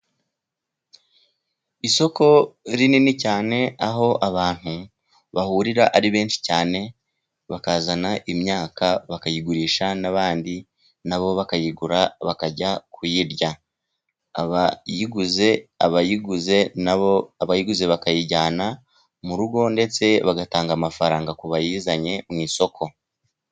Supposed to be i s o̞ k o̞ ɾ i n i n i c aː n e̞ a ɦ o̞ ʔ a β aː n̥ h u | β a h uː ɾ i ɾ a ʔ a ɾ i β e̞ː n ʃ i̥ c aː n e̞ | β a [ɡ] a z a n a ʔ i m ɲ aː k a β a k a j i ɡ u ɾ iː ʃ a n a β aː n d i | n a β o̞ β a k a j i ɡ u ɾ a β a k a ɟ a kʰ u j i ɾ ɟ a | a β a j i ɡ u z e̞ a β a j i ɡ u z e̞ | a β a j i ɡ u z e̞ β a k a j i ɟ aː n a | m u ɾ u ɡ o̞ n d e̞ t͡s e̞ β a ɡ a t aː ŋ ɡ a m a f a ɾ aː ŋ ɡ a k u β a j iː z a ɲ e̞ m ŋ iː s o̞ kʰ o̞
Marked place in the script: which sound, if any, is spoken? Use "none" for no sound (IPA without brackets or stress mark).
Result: k